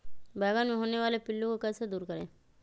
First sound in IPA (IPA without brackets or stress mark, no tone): b